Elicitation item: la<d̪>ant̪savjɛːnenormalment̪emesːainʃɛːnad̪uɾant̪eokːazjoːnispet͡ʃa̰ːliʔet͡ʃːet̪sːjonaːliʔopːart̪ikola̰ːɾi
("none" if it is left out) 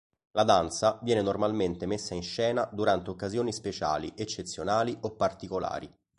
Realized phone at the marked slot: d̪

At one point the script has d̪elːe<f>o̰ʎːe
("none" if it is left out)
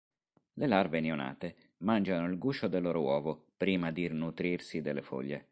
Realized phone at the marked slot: f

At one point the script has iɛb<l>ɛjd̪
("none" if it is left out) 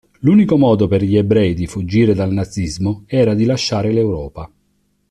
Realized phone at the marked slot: ɾ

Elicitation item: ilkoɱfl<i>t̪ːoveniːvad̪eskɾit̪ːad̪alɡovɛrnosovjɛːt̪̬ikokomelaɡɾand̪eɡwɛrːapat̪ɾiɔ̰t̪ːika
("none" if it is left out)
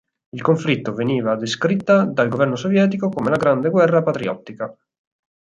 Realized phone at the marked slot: i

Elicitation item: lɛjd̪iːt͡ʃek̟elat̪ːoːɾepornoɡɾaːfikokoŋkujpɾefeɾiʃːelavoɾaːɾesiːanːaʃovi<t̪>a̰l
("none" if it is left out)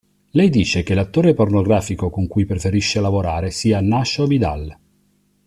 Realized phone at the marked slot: d̪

